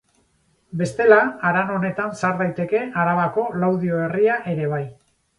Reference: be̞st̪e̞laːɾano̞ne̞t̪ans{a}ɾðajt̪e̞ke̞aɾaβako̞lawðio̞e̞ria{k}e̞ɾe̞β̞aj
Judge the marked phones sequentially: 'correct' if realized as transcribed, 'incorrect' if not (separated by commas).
correct, incorrect